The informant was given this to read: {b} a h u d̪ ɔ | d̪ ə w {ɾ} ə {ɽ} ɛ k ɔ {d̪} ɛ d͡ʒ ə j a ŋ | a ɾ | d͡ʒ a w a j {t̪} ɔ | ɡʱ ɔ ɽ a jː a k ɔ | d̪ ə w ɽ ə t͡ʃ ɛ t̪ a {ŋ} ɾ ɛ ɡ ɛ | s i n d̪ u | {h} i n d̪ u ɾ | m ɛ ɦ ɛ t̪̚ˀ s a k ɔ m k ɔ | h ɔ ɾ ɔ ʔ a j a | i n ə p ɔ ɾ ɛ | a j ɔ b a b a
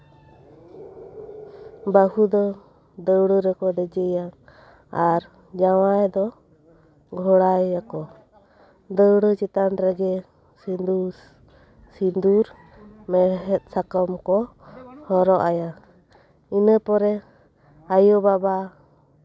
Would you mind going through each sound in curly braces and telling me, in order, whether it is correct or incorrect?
correct, incorrect: ɽ, incorrect: ɾ, correct, incorrect: d̪, incorrect: n, incorrect: s

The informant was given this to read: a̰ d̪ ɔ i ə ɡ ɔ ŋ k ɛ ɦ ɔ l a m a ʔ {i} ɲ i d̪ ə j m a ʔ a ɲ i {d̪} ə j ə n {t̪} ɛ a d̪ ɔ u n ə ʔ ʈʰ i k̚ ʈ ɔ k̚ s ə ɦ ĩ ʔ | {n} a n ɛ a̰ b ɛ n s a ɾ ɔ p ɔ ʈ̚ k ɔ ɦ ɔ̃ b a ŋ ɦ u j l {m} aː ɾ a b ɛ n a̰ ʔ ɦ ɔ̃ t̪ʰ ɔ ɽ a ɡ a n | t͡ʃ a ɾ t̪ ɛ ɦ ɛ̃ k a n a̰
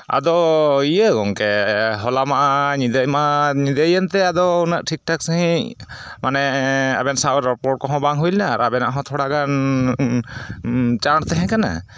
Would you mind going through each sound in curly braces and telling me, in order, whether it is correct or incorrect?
incorrect: a, correct, correct, incorrect: m, incorrect: n

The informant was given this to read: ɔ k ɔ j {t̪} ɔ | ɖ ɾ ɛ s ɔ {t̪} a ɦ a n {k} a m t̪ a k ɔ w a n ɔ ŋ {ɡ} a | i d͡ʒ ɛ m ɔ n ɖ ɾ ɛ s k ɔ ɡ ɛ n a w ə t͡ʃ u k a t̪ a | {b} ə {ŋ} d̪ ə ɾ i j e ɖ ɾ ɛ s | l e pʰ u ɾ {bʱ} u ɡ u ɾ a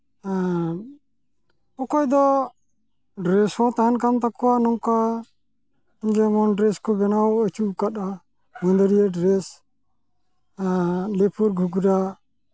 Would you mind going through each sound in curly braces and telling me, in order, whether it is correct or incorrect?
incorrect: d̪, correct, correct, incorrect: k, incorrect: m, incorrect: n, incorrect: ɡʱ

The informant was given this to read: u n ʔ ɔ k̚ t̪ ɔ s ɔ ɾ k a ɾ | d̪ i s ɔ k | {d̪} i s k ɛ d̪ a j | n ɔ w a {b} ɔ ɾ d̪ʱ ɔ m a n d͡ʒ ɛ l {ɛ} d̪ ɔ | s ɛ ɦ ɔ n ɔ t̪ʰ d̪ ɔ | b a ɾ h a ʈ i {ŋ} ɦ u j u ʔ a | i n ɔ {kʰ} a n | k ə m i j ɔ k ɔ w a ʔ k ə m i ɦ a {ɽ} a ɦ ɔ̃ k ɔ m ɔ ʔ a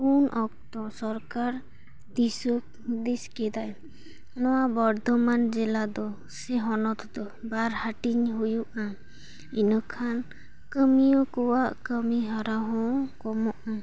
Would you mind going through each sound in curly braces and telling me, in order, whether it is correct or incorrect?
correct, correct, incorrect: a, incorrect: ɲ, correct, incorrect: ɾ

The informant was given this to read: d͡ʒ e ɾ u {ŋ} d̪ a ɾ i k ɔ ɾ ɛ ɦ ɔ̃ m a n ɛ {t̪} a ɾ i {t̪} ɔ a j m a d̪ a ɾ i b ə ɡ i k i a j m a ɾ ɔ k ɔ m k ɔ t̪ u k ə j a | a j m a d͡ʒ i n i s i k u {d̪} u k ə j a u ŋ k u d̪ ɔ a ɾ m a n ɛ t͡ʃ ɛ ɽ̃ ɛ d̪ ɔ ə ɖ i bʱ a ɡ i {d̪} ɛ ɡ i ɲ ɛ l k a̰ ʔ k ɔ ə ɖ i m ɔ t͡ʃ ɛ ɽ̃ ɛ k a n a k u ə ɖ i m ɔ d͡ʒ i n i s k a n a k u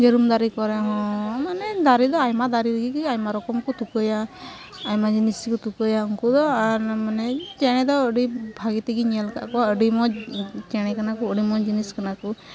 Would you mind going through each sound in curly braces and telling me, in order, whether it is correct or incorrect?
incorrect: m, incorrect: d̪, incorrect: d̪, incorrect: t̪, incorrect: t̪

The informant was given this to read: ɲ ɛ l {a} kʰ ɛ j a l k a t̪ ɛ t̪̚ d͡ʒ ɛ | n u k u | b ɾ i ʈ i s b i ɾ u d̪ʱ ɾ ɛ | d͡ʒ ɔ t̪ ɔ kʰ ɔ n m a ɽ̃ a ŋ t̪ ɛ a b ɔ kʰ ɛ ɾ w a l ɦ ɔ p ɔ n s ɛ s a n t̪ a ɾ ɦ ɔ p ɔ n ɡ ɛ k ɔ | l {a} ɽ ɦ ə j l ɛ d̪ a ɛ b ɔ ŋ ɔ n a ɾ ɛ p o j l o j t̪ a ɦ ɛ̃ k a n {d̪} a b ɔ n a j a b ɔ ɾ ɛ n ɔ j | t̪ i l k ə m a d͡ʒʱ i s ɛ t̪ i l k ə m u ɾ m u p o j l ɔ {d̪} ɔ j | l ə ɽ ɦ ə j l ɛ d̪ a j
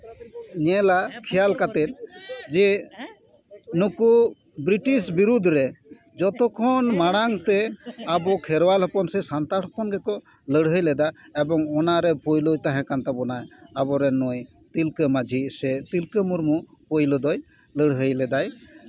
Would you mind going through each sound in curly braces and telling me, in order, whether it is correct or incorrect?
correct, incorrect: ə, incorrect: t̪, correct

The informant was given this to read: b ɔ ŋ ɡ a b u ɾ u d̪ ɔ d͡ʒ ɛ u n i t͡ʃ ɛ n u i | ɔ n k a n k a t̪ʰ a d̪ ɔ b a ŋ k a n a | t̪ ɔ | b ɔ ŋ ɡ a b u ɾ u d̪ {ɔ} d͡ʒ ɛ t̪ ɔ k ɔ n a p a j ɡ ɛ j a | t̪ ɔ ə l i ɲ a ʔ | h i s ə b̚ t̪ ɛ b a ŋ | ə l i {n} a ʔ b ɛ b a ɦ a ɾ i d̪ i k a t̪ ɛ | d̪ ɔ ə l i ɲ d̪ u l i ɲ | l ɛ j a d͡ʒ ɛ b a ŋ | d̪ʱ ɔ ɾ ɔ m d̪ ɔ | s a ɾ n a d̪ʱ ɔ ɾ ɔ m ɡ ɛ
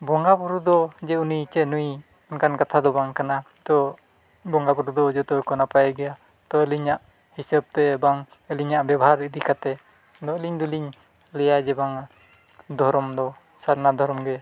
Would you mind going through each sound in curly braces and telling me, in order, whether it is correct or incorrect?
correct, incorrect: ɲ

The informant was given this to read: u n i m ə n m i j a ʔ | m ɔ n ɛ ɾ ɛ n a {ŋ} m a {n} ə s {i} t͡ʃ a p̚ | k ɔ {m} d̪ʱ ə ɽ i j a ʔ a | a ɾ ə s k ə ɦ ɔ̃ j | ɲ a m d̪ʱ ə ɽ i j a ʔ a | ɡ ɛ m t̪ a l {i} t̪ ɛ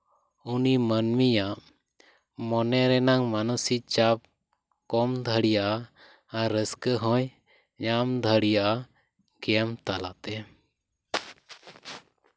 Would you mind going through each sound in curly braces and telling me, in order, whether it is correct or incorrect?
correct, correct, correct, correct, incorrect: a

